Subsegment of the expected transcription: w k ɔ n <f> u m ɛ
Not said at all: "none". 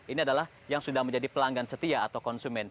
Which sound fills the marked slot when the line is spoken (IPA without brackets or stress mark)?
s